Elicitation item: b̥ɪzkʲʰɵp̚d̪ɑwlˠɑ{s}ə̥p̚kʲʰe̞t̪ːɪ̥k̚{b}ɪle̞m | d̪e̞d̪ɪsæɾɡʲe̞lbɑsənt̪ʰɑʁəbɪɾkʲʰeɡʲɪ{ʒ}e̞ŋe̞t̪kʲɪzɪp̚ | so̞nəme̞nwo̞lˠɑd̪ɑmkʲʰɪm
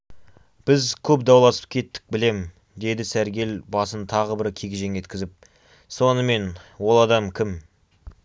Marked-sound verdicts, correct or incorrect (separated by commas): correct, correct, correct